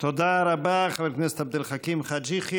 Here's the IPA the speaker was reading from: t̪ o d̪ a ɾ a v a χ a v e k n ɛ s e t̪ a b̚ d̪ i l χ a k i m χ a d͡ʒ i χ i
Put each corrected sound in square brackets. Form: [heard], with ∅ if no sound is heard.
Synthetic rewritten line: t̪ o d̪ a ɾ a [b] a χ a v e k n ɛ s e t̪ a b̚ d̪ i l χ a k i m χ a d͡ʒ i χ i